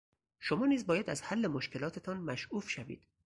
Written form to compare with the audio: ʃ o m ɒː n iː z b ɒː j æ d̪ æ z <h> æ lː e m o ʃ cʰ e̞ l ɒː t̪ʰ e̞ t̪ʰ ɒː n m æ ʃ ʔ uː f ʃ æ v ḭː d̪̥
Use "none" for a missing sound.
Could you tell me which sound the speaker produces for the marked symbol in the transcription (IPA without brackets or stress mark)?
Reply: h